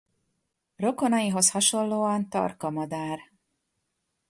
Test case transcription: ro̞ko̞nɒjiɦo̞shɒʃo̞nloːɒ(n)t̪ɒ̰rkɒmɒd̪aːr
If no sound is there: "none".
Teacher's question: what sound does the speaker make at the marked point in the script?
n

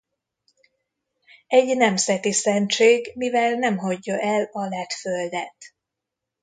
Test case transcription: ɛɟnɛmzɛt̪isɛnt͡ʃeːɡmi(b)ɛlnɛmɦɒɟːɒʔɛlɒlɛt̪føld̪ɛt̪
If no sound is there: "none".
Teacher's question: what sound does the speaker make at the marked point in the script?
v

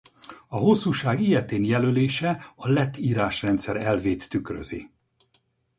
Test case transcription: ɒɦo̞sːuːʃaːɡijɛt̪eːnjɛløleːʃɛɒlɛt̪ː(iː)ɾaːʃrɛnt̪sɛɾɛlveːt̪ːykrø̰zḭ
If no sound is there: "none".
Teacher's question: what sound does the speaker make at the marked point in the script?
iː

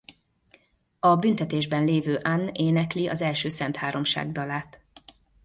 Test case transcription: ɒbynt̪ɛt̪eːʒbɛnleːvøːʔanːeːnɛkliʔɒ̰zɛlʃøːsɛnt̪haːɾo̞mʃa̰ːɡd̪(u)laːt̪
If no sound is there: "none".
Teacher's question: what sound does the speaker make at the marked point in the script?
ɒ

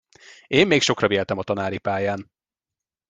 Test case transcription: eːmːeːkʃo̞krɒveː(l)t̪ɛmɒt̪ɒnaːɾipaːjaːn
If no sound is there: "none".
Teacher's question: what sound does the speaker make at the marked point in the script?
l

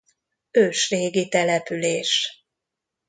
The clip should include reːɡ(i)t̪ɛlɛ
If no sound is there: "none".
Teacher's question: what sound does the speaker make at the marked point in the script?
i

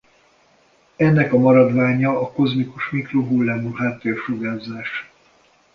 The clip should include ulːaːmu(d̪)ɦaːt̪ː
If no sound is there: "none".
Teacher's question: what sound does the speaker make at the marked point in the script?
none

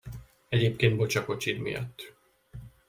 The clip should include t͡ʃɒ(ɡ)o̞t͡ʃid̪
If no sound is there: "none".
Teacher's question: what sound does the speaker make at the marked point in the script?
k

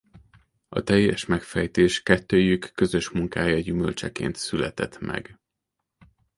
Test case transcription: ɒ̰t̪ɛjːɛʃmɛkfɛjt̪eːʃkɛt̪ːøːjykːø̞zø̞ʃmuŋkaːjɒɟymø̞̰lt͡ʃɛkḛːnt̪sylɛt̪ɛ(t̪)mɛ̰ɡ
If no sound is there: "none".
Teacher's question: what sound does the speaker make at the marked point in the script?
t̪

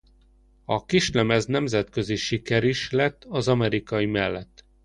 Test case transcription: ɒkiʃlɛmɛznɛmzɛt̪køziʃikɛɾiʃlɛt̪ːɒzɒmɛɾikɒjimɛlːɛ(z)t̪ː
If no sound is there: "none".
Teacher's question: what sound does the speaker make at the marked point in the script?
none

